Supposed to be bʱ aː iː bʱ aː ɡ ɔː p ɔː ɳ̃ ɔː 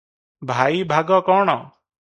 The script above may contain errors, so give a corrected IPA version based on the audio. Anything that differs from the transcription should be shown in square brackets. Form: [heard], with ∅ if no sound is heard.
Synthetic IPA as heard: bʱ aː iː bʱ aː ɡ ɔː [k] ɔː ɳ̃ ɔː